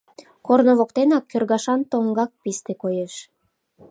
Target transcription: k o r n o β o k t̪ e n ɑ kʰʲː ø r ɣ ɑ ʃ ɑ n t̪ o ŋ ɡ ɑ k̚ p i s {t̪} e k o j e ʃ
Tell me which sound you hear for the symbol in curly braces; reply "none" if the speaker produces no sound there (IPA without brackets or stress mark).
t̪